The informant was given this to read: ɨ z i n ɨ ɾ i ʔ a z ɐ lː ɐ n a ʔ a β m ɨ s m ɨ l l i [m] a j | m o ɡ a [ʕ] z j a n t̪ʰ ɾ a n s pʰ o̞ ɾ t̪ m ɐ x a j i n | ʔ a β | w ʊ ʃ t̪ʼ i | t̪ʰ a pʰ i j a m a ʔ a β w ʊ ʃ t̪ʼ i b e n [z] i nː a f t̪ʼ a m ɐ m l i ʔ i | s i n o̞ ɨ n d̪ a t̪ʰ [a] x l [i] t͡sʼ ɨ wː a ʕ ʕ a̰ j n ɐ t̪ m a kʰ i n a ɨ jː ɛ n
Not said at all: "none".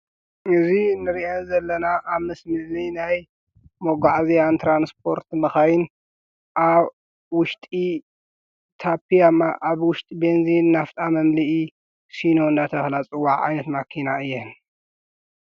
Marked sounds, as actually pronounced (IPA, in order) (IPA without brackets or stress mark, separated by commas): n, ʕ, z, ɐ, a